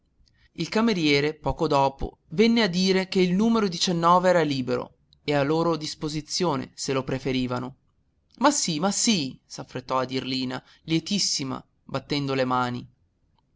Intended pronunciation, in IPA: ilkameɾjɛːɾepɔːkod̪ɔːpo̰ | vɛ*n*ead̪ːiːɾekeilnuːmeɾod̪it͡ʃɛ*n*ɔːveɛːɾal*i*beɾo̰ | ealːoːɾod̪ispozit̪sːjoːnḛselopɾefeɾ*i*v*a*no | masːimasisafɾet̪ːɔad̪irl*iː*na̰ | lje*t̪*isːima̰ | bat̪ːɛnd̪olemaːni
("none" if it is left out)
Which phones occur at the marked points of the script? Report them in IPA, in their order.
nː, nː, iː, iː, a, iː, t̪

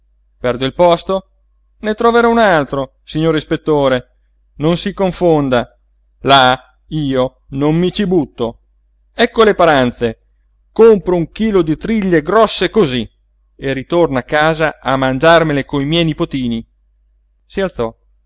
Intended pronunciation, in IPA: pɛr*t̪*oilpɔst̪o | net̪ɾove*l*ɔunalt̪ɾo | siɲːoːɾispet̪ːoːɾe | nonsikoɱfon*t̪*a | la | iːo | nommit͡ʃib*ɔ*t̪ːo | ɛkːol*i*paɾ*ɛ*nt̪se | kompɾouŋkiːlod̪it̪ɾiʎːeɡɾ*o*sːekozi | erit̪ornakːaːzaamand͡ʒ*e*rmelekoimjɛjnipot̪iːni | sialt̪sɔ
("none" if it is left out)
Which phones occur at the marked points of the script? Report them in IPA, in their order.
d̪, ɾ, d̪, u, e, a, ɔ, a

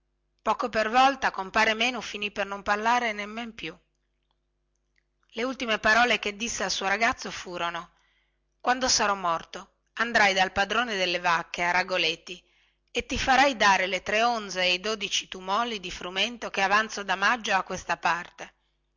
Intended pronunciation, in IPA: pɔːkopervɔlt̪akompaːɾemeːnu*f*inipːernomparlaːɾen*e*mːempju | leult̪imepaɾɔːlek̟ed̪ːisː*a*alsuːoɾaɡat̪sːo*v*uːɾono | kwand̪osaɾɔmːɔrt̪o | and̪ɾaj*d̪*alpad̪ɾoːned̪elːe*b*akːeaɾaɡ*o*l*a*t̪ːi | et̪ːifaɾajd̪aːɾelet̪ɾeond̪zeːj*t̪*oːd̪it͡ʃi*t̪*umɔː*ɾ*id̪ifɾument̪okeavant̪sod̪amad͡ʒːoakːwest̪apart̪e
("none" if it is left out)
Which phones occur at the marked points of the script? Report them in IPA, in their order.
f, e, e, f, d̪, v, o, e, d̪, t̪, l

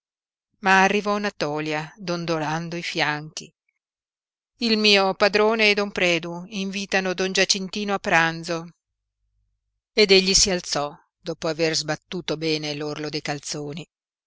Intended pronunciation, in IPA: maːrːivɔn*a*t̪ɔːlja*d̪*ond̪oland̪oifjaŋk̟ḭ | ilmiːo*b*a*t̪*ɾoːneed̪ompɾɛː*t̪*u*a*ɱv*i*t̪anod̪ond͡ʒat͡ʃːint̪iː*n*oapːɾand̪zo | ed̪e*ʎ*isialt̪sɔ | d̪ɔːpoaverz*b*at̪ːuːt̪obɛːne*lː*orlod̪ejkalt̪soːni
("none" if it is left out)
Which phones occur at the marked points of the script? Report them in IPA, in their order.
a, d̪, p, d̪, d̪, i, iː, n, ʎː, b, l

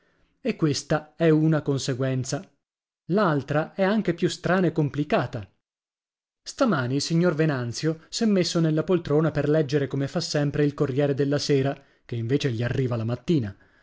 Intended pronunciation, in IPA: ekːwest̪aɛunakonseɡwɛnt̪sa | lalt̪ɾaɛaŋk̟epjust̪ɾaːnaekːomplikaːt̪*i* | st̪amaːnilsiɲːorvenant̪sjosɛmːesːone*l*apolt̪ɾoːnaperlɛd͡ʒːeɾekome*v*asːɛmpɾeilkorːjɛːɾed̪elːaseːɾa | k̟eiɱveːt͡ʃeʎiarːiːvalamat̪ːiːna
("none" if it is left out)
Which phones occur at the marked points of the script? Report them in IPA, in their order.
a, lː, f

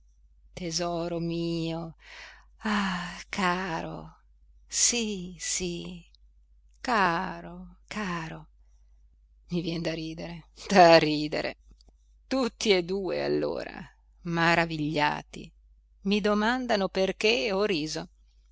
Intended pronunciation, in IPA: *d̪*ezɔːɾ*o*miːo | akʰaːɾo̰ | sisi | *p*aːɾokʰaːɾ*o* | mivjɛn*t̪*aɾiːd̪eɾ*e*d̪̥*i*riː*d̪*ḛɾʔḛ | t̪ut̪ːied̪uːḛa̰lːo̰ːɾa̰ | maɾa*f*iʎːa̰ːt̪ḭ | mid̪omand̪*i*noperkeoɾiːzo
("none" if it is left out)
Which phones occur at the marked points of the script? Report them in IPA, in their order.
t̪, o, k, o, d̪, e, a, d̪, v, a

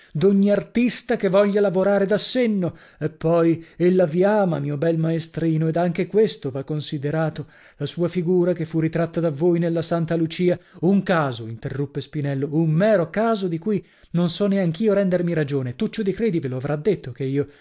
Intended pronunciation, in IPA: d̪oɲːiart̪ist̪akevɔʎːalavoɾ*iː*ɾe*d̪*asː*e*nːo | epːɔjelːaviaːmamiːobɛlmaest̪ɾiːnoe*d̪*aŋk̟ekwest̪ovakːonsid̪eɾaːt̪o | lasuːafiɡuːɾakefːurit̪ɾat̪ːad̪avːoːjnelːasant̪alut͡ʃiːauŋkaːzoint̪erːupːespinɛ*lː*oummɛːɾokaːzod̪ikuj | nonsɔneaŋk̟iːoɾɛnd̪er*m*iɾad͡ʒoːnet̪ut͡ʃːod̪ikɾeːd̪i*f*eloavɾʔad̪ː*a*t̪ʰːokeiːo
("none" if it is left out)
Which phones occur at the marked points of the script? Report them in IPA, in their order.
aː, d̪, e, d̪, lː, m, v, e

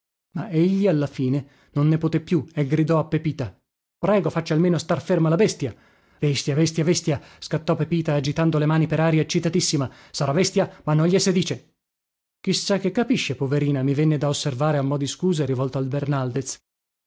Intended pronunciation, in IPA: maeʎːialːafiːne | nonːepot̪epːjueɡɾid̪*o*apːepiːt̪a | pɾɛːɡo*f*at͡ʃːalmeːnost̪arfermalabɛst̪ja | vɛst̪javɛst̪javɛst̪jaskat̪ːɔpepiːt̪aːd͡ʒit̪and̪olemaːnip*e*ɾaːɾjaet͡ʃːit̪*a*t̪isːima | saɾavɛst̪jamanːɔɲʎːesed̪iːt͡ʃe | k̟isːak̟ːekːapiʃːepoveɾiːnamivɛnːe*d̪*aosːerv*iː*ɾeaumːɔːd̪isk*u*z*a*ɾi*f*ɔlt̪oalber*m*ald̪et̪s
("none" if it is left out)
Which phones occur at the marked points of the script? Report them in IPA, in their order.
ɔ, f, e, a, d̪, aː, uː, e, v, n

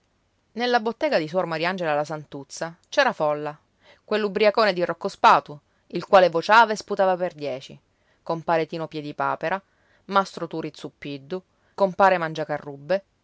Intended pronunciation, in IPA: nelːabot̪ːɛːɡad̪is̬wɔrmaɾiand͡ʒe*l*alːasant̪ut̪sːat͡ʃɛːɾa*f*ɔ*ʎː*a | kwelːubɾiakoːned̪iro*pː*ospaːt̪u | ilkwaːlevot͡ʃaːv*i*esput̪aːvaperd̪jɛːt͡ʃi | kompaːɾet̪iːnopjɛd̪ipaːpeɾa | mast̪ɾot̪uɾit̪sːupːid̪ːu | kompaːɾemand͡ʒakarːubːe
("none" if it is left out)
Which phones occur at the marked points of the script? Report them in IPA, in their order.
l, f, lː, kː, a

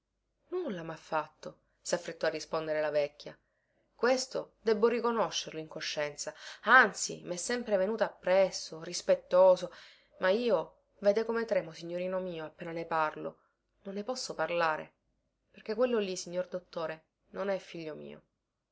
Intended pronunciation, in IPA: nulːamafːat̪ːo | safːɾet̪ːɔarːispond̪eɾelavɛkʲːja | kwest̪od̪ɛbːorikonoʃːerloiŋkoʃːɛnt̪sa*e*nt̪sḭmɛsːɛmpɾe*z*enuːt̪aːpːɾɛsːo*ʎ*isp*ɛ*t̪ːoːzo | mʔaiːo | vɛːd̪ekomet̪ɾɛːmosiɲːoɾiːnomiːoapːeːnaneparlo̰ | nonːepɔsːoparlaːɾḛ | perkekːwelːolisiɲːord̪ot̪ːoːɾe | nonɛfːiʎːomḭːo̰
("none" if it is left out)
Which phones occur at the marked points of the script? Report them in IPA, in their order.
a, v, r, e

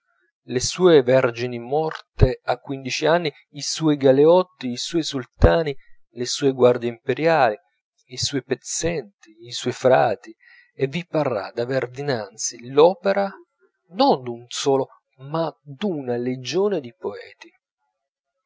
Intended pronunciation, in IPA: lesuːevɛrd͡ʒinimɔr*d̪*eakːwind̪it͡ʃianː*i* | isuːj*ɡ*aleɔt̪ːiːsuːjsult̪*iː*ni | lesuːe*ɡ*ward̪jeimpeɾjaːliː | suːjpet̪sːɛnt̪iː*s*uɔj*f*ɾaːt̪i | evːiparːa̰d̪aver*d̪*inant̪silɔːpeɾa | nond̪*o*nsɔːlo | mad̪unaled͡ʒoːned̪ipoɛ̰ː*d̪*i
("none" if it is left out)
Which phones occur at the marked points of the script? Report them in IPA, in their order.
t̪, i, ɡ, aː, ɡ, s, f, d̪, u, t̪

